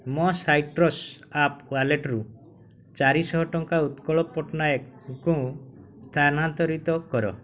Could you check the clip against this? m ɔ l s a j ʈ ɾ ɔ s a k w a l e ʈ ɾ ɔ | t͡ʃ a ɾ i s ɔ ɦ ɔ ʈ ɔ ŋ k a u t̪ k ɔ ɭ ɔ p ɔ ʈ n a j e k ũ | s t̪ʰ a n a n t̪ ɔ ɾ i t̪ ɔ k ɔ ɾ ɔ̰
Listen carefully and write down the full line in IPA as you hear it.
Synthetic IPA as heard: m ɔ s a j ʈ ɾ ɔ s a p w a l e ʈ ɾ u | t͡ʃ a ɾ i s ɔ ɦ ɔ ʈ ɔ ŋ k a u t̪ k ɔ ɭ ɔ p ɔ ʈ n a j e k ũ | s t̪ʰ a n a n t̪ ɔ ɾ i t̪ ɔ k ɔ ɾ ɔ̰